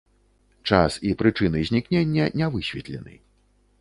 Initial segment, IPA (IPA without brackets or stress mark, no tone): t͡ʂ